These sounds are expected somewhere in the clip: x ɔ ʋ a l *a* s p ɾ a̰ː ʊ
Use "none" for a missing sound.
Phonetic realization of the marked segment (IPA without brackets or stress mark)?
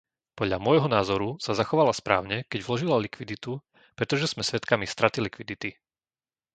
a